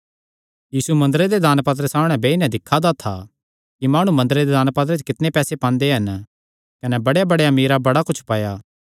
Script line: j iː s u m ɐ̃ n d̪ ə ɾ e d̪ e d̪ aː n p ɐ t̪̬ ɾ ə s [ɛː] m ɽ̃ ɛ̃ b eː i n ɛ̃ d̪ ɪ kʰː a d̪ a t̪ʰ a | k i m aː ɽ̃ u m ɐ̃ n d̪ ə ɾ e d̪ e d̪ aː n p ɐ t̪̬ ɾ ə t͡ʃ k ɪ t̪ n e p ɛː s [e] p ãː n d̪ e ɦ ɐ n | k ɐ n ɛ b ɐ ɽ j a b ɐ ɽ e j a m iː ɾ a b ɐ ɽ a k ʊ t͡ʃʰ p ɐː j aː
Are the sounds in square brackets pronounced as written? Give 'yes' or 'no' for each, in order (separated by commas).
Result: no, yes